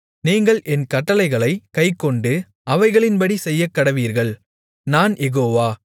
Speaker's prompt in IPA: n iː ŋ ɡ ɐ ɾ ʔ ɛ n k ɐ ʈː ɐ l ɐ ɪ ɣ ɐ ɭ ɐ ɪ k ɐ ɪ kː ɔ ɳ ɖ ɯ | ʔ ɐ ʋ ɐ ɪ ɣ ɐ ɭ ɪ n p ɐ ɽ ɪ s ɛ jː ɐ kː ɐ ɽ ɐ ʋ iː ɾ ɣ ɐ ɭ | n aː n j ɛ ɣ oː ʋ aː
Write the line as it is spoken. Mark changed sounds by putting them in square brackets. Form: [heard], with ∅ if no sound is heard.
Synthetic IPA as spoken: n iː ŋ ɡ ɐ [ɭ] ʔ ɛ n k ɐ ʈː ɐ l ɐ ɪ ɣ ɐ ɭ ɐ ɪ k ɐ ɪ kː ɔ ɳ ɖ ɯ | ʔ ɐ ʋ ɐ ɪ ɣ ɐ ɭ ɪ n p ɐ ɽ [i] s ɛ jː ɐ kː ɐ ɽ ɐ ʋ iː ɾ ɣ ɐ ɭ | n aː n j ɛ ɣ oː ʋ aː